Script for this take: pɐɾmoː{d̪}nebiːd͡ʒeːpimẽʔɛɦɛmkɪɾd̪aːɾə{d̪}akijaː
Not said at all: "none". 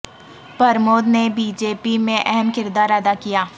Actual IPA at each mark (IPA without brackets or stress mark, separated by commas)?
d̪, d̪